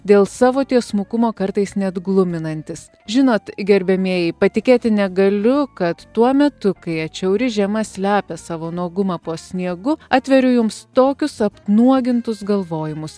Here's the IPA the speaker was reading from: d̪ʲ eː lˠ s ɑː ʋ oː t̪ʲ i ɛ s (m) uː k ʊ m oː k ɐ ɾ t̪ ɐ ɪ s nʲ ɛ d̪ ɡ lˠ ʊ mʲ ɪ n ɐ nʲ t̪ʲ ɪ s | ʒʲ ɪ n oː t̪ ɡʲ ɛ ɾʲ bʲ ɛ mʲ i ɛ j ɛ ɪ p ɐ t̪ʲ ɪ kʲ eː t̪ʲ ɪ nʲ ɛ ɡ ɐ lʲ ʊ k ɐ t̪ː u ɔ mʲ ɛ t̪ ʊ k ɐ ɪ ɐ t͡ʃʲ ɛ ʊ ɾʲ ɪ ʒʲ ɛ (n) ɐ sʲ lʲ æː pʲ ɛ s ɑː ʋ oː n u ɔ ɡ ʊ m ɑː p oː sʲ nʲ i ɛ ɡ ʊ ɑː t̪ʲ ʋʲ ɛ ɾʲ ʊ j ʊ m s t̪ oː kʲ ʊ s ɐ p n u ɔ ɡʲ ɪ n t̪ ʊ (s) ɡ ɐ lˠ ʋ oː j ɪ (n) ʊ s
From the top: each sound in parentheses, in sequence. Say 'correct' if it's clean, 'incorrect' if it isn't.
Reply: correct, incorrect, correct, incorrect

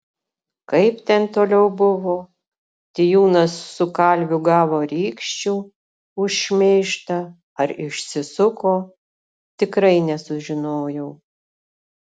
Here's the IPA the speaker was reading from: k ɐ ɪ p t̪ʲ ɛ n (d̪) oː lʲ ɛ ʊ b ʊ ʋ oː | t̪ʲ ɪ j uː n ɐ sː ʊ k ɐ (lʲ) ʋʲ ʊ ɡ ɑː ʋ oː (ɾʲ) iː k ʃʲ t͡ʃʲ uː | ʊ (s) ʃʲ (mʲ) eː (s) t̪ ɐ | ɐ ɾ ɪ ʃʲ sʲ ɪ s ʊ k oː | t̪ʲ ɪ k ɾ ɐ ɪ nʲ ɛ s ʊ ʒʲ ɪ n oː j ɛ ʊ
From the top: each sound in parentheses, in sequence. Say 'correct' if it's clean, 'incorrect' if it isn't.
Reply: incorrect, correct, correct, incorrect, correct, incorrect

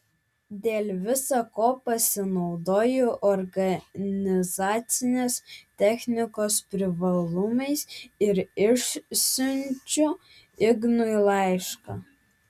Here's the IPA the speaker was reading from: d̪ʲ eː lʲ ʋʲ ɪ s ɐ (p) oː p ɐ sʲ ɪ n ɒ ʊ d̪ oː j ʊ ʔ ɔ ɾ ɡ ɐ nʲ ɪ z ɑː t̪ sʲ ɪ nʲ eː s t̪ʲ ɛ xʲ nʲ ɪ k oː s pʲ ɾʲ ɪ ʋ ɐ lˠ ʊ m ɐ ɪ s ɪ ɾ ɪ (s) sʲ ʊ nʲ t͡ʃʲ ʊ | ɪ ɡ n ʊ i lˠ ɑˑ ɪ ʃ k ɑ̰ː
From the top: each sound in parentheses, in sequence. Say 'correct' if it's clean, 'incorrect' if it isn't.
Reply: incorrect, incorrect

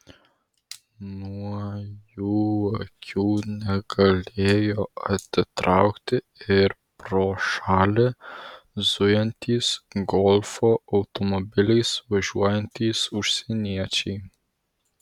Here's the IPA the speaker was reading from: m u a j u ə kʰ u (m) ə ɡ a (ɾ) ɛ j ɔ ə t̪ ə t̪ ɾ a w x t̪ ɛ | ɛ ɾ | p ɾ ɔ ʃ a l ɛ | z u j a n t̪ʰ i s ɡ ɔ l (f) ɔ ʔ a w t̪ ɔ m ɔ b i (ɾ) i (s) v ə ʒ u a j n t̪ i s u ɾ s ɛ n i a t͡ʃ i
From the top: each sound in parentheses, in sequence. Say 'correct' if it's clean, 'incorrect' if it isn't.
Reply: incorrect, incorrect, correct, incorrect, correct

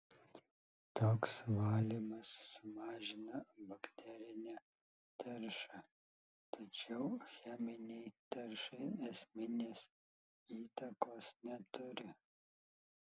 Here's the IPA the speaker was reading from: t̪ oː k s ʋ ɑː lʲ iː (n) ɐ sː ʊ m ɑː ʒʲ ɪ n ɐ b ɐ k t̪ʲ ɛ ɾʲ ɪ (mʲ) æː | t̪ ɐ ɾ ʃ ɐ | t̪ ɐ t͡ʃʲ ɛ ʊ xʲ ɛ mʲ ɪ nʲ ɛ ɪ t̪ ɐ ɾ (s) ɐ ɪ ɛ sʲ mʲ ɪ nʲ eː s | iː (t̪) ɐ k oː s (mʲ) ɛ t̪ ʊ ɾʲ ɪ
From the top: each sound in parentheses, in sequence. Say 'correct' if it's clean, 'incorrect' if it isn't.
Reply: incorrect, incorrect, incorrect, correct, incorrect

